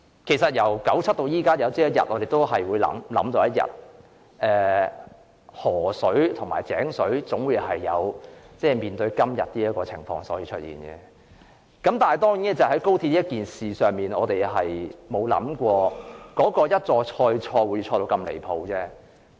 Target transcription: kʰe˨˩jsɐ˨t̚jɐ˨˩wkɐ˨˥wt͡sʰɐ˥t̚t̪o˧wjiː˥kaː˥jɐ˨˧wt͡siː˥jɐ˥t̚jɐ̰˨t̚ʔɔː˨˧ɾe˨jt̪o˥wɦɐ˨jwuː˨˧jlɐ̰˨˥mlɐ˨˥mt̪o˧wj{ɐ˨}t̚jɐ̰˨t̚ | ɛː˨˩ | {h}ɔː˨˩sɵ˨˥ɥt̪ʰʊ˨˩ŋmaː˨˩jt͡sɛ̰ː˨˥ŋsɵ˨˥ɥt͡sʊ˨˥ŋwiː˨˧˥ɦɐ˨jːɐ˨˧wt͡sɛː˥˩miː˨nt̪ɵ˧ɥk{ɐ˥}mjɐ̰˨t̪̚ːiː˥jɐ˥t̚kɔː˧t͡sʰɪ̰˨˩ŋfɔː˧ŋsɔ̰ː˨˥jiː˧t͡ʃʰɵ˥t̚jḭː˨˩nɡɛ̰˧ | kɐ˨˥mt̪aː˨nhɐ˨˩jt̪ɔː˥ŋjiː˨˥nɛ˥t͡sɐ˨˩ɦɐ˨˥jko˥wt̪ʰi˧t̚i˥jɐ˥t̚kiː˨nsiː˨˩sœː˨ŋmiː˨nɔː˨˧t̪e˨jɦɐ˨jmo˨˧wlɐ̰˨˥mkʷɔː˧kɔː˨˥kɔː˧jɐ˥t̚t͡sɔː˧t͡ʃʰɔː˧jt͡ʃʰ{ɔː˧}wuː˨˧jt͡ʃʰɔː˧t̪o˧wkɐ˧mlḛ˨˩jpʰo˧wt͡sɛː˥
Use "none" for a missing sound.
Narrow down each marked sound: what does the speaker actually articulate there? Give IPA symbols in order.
ɐ˥, h, ɐ˥, ɔː˧

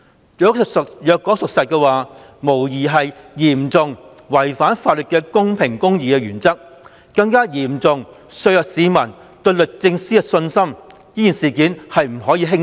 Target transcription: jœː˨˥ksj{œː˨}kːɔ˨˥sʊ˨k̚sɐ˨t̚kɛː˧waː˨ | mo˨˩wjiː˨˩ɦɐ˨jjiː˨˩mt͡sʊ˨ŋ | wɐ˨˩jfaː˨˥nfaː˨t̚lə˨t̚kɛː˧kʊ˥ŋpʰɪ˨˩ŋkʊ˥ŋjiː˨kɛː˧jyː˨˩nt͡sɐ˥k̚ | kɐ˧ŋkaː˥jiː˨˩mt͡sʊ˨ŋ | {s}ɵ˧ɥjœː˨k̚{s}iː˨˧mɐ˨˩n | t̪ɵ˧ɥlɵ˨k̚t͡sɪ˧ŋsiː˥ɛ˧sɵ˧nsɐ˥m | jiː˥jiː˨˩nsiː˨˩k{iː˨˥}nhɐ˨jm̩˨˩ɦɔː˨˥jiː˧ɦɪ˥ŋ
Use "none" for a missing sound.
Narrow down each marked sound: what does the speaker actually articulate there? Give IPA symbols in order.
œː˨, s, s, iː˨˥

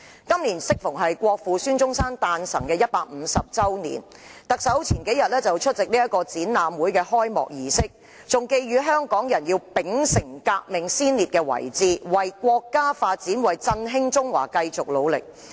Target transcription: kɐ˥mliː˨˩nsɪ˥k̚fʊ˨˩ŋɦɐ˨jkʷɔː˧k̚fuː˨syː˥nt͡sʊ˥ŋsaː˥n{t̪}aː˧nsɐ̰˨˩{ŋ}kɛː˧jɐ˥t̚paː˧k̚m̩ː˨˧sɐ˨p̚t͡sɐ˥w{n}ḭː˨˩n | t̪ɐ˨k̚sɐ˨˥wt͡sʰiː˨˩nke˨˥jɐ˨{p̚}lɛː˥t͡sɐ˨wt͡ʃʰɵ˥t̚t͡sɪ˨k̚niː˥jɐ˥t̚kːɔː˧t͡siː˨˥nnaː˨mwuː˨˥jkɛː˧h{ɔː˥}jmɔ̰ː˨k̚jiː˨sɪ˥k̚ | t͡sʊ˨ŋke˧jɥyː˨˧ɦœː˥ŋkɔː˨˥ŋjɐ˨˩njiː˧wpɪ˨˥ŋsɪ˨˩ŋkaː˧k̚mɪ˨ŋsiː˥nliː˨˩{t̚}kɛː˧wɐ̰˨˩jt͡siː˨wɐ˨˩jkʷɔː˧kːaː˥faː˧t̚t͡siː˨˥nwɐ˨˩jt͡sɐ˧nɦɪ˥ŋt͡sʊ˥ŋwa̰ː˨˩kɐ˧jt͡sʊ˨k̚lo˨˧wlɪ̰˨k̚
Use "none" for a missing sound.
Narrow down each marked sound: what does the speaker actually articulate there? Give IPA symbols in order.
t̪, ŋ, n, t̚, ɔː˥, t̚

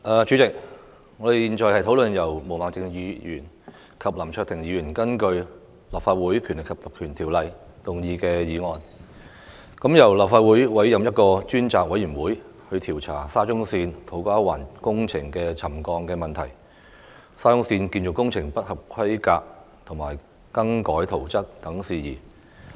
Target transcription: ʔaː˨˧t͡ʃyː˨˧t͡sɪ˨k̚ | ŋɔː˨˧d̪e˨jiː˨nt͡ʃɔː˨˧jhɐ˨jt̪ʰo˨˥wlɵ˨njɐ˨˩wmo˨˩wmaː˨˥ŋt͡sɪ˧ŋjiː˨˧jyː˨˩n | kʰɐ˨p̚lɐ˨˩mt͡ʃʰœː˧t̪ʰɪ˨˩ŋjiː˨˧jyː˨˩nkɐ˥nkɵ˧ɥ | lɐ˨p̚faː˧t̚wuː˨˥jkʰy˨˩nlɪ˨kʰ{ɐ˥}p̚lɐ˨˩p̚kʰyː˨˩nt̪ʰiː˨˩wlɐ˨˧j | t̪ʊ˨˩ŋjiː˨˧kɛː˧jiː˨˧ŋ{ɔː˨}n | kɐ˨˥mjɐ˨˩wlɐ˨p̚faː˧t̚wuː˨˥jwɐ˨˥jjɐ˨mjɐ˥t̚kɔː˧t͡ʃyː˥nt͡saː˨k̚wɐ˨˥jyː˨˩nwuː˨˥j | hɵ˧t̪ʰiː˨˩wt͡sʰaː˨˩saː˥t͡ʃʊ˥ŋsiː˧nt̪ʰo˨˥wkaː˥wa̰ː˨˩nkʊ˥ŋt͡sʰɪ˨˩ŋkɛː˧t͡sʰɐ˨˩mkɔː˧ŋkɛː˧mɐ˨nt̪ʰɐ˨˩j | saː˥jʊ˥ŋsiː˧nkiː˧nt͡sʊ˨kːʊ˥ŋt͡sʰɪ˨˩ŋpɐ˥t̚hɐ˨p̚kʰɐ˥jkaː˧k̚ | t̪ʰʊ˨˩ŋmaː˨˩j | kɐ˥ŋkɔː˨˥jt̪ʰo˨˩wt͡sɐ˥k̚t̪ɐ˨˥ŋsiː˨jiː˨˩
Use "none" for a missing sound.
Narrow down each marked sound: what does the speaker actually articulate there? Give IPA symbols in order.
ɐ˨˩, ɔː˨

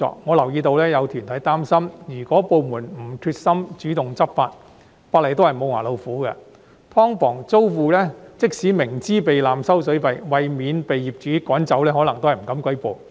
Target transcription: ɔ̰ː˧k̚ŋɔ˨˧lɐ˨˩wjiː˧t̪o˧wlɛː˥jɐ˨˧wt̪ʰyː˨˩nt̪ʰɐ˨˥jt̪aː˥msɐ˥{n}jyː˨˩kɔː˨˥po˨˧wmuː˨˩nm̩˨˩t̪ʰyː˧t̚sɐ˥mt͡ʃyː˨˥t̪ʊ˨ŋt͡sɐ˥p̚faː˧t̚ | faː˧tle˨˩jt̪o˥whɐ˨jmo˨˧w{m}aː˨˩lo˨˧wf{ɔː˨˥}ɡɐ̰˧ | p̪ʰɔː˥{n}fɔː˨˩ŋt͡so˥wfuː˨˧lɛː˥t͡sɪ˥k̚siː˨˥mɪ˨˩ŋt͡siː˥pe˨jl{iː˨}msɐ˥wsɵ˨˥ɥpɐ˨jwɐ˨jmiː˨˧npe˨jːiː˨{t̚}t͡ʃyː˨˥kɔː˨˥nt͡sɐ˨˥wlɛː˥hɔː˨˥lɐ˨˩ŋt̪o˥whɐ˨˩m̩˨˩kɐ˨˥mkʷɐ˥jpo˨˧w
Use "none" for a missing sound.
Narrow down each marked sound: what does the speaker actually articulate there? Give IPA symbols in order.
m, ŋ, uː˨˥, ŋ, aː˨, p̚

